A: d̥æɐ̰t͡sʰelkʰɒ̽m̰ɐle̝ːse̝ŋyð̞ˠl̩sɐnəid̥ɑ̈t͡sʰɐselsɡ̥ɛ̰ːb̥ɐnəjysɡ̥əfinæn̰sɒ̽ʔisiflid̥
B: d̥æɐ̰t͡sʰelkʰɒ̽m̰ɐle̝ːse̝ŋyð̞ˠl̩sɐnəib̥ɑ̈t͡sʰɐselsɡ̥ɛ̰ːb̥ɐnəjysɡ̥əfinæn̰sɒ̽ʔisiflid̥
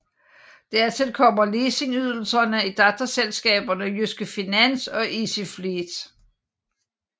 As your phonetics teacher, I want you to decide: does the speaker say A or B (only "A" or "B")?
A